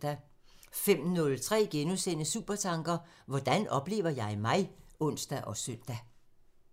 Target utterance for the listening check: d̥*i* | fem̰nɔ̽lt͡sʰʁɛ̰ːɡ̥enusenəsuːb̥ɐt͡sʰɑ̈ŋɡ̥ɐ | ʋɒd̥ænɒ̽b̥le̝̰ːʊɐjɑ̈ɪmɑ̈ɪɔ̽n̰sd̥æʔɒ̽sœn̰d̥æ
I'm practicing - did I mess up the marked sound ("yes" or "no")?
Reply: yes